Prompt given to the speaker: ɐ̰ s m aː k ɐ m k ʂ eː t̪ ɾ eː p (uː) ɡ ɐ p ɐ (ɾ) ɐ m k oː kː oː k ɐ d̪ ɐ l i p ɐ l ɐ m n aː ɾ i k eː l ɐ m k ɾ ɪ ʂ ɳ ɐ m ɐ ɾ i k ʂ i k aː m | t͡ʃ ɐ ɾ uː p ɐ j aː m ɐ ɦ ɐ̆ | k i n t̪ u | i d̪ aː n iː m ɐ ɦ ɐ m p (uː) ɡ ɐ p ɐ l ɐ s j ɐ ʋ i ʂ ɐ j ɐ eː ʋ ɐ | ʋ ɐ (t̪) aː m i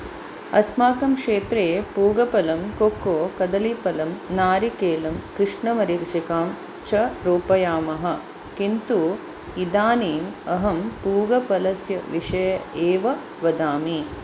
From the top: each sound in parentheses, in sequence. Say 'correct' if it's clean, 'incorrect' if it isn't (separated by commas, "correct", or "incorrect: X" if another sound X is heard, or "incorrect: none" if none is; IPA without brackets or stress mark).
correct, incorrect: l, correct, incorrect: d̪